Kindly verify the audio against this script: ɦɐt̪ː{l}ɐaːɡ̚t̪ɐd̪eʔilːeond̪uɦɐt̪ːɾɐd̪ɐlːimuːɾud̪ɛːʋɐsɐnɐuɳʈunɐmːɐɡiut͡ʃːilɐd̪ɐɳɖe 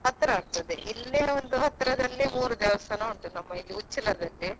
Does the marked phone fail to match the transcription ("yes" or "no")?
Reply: yes